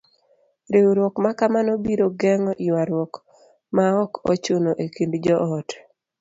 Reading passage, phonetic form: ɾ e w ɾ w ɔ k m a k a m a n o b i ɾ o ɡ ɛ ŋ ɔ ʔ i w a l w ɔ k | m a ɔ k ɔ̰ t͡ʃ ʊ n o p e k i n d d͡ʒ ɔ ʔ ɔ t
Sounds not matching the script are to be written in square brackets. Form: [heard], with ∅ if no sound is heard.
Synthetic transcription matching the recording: ɾ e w ɾ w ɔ k m a k a m a n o b i ɾ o ɡ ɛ ŋ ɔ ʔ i w a [ɾ] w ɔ k | m a ɔ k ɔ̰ t͡ʃ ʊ n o [ʔ] e k i n d d͡ʒ ɔ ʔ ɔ t